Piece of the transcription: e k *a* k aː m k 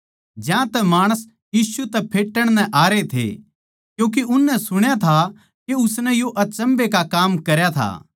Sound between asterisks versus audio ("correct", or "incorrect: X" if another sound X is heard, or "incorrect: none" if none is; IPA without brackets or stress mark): correct